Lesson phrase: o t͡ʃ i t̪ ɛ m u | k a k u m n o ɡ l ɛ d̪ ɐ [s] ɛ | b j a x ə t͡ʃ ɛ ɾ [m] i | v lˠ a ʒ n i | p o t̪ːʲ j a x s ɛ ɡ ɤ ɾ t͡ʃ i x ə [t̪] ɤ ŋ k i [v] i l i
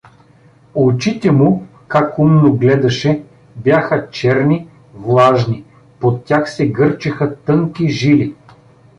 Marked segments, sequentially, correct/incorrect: incorrect, incorrect, correct, incorrect

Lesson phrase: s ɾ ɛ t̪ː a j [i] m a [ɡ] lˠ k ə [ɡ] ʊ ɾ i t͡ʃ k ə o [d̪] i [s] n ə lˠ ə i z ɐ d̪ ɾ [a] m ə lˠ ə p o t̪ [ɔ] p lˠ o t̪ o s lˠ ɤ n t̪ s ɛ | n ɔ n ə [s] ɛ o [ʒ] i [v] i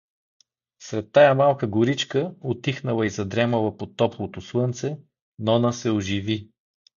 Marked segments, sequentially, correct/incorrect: incorrect, incorrect, correct, incorrect, incorrect, incorrect, correct, correct, correct, correct

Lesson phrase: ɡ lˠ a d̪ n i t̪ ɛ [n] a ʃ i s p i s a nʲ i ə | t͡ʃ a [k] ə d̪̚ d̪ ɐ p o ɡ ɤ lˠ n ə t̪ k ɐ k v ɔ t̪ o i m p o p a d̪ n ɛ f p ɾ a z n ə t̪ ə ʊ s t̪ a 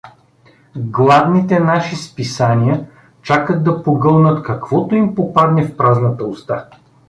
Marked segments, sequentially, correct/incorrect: correct, correct

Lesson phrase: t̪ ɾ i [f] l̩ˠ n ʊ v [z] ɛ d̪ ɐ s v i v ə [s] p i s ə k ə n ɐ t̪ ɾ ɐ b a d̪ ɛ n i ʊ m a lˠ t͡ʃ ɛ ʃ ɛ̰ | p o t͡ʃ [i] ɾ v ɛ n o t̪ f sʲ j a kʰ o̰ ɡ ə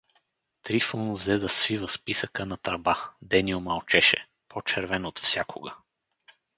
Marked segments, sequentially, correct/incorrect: correct, correct, correct, incorrect

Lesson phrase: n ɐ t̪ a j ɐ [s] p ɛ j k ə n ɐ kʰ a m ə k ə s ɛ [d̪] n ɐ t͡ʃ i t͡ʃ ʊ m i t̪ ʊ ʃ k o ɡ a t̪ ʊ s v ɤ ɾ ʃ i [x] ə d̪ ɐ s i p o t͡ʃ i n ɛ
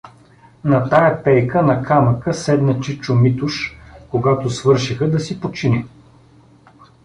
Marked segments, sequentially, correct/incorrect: incorrect, correct, correct

